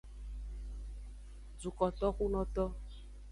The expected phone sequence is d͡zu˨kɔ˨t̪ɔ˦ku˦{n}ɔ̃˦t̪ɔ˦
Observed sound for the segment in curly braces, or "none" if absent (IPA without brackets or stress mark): n